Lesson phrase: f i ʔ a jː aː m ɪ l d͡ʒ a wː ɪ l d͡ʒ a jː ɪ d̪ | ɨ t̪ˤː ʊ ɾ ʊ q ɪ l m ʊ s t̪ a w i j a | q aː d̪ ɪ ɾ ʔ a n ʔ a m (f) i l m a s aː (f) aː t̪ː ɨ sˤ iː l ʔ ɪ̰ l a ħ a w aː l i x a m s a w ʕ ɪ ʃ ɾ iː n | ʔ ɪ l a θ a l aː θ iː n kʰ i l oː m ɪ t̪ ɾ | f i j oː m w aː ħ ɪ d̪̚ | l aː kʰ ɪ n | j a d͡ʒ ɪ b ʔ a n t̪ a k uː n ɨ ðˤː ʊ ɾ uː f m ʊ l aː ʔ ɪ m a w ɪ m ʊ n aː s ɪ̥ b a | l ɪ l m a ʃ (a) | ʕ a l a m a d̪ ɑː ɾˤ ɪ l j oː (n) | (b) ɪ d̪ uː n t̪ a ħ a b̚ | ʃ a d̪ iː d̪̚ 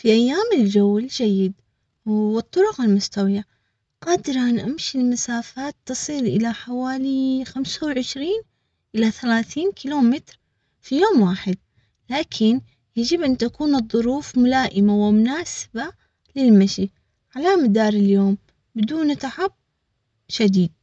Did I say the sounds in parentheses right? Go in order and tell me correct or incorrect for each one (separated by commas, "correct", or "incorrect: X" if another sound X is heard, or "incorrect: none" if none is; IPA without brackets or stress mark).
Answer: incorrect: ʃ, correct, incorrect: i, incorrect: m, correct